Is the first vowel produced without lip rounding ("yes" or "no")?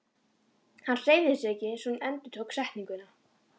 yes